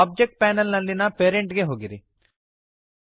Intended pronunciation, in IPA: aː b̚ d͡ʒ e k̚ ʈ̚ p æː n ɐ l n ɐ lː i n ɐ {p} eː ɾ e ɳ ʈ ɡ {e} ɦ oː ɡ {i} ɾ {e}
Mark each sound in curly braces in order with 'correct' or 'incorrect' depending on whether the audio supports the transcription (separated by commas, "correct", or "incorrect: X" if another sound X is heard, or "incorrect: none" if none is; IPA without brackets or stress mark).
correct, correct, correct, incorrect: i